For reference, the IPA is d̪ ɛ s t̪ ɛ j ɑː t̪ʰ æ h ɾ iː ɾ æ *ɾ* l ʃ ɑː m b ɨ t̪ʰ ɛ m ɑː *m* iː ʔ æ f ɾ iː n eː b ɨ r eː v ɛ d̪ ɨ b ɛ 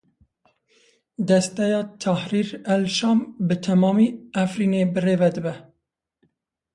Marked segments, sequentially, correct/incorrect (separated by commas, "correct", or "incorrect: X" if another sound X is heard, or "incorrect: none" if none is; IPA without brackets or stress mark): incorrect: none, correct